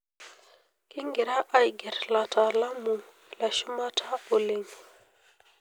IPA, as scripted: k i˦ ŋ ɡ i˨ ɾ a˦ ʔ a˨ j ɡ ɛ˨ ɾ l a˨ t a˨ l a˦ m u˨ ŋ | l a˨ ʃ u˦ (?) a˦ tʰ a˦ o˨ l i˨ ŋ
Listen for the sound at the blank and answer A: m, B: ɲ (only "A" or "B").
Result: A